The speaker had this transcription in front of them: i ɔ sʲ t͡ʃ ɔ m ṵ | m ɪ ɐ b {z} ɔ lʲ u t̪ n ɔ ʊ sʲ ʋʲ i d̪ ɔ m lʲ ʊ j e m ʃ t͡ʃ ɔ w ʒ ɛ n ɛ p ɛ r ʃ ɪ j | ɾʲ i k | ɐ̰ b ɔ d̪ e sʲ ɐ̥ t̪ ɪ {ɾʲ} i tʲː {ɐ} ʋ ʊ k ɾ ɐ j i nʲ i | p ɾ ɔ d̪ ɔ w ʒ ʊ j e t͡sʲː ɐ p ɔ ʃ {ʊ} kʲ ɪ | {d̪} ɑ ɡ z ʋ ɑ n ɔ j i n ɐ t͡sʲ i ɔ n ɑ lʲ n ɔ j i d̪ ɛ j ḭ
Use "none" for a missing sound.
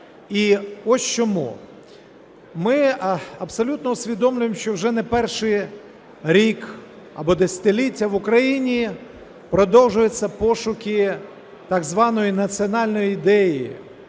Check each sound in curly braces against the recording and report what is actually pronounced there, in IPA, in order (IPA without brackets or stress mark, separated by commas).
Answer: s, lʲ, ɐ, ʊ, t̪